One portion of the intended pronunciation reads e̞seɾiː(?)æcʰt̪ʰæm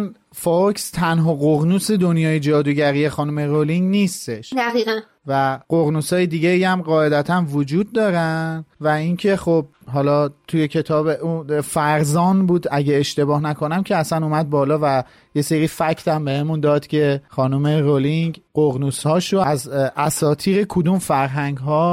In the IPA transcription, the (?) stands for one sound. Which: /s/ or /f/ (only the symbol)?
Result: f